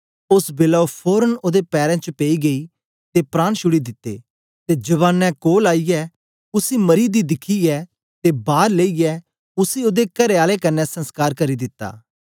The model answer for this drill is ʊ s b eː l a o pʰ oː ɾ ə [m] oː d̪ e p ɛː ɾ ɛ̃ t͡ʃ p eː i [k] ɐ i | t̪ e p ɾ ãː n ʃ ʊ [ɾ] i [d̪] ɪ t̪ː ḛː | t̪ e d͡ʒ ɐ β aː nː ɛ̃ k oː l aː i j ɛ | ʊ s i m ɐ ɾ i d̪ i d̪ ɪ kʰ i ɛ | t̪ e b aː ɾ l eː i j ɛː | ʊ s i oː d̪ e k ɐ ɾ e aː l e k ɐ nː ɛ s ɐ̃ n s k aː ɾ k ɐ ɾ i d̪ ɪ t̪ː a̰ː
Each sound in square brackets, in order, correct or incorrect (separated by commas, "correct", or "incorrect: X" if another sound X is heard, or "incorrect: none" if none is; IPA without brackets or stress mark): incorrect: n, incorrect: ɡ, incorrect: ɽ, correct